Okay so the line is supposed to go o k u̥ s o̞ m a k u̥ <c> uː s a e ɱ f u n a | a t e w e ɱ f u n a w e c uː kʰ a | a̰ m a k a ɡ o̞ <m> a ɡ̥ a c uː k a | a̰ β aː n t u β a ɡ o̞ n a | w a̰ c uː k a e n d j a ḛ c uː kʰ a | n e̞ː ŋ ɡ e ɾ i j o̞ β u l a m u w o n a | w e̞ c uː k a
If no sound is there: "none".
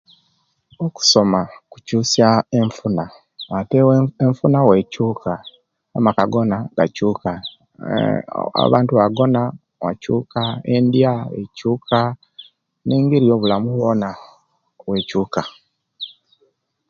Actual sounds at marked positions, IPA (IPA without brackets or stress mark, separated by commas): c, n